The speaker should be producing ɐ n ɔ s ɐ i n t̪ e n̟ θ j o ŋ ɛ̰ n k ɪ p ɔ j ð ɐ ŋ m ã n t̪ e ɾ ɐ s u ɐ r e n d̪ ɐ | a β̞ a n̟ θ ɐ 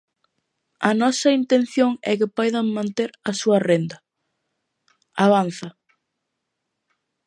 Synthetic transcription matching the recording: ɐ n ɔ s ɐ i n t̪ e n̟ θ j o ŋ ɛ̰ k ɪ p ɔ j ð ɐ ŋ m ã n t̪ e ɾ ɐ s u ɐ r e n d̪ ɐ | a β̞ a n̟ θ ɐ